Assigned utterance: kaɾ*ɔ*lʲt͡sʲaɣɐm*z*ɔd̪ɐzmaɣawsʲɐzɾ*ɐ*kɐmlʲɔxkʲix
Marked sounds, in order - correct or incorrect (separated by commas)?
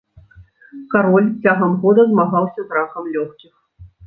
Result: correct, incorrect, incorrect